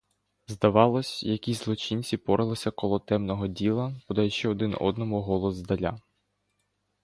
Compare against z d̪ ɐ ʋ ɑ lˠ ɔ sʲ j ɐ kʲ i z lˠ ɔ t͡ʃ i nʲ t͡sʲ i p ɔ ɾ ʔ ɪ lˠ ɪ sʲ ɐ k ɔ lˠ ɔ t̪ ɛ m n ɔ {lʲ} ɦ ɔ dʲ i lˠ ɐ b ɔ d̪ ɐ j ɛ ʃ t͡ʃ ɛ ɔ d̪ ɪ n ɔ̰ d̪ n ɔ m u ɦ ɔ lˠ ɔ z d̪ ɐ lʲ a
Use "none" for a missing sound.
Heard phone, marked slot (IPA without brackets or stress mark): none